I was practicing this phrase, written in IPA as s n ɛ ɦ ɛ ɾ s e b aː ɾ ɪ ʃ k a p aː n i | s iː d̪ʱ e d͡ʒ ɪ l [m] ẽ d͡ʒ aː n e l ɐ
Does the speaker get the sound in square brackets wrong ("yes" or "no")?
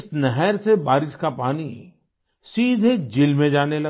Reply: no